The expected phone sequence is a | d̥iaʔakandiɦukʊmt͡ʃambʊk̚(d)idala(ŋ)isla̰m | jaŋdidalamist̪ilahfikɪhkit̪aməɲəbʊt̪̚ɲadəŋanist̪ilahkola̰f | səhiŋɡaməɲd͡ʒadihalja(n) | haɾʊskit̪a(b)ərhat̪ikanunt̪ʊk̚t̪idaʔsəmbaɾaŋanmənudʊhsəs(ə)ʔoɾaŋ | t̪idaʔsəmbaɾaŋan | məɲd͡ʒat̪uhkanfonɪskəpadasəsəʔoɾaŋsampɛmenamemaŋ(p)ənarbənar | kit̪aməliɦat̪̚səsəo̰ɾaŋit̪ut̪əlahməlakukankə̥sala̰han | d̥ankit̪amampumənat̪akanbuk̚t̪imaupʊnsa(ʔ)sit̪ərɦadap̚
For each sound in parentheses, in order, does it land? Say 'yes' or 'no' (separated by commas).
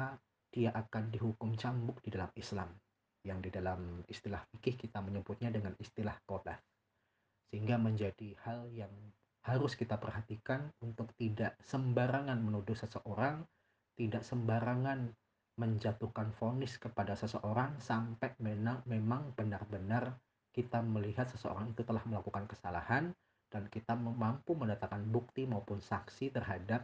yes, no, no, no, yes, no, no